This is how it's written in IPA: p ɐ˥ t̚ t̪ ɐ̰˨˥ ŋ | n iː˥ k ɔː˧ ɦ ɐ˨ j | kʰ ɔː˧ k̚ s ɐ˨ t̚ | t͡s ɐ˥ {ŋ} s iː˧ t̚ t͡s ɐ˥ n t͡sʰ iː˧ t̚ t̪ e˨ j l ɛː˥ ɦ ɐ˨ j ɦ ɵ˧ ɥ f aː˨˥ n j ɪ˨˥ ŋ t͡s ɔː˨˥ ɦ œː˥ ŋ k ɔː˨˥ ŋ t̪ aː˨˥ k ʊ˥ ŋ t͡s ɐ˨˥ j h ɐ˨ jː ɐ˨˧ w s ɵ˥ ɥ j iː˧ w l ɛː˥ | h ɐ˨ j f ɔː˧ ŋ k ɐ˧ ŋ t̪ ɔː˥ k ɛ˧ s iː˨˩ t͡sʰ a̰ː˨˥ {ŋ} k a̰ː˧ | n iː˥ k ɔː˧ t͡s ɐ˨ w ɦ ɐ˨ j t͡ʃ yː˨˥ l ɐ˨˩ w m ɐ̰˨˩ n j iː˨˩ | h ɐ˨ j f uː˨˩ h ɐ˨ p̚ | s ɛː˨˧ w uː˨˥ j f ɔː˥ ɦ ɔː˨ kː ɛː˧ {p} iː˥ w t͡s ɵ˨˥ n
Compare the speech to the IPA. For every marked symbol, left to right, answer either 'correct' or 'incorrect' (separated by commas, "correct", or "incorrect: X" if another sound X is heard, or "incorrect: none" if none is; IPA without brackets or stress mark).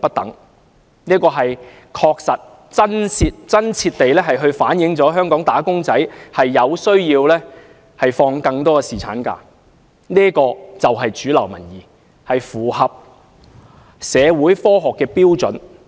incorrect: n, incorrect: n, correct